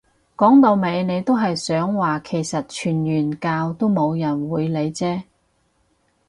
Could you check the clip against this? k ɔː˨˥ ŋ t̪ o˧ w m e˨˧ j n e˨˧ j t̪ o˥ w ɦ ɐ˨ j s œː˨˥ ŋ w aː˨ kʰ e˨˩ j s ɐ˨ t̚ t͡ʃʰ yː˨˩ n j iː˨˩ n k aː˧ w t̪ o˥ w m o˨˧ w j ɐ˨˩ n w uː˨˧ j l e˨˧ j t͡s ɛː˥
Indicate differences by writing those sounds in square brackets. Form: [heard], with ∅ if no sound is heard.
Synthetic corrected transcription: k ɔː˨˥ ŋ t̪ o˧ w m e˨˧ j n e˨˧ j t̪ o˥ w ɦ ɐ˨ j s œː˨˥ ŋ w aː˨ kʰ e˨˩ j s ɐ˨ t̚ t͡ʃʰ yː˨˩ n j [yː˨˩] n k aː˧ w t̪ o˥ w m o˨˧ w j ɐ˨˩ n w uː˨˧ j l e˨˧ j t͡s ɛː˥